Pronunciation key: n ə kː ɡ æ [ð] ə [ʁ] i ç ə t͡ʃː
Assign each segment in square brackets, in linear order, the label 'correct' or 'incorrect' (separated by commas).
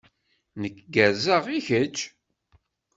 incorrect, correct